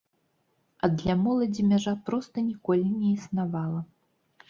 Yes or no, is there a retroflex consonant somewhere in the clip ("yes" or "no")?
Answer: yes